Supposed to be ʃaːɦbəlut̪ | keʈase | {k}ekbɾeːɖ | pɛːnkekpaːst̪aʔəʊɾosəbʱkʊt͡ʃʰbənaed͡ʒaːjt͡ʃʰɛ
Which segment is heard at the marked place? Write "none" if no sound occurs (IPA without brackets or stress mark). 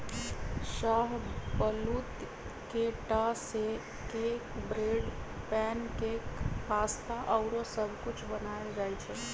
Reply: k